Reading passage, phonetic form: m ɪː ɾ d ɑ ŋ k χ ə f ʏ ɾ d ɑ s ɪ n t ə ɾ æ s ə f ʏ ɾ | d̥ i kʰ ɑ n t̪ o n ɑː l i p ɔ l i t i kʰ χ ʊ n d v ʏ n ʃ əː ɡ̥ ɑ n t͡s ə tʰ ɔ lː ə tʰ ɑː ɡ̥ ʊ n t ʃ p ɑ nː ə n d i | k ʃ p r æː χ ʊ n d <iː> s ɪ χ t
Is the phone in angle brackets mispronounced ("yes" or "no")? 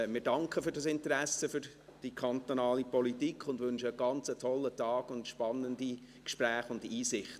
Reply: no